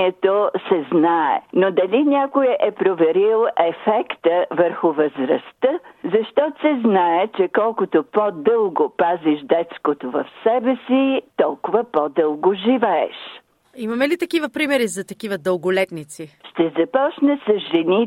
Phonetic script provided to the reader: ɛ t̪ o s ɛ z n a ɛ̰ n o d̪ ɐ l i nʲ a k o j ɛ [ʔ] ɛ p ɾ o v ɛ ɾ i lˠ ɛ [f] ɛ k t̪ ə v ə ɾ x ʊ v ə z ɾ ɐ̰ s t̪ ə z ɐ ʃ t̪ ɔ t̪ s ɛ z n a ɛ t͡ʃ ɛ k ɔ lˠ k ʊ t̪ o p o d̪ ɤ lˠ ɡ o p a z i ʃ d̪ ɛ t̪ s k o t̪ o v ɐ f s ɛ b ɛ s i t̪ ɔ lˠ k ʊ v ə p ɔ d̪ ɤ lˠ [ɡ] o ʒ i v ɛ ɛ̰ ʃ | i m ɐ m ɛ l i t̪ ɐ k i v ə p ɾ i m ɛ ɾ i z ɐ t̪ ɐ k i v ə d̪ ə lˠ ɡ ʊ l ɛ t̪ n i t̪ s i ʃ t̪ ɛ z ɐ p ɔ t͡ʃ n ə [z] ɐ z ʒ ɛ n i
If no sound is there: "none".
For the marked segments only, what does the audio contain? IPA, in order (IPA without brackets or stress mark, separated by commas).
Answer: ʔ, f, ɡ, s